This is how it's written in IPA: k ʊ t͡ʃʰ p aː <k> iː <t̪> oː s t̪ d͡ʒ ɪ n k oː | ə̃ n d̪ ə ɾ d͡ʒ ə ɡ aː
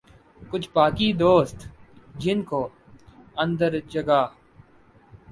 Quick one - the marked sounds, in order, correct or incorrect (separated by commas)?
correct, incorrect